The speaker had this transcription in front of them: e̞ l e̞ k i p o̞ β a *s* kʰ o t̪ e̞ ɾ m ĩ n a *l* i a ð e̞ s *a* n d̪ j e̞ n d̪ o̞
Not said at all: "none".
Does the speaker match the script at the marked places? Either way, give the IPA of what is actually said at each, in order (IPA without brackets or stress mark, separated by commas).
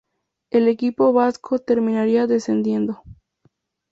s, ɾ, e